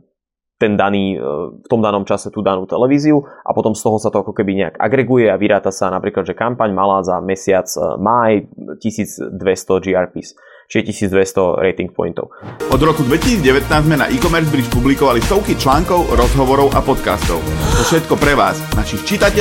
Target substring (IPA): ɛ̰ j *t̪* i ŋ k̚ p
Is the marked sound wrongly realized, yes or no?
no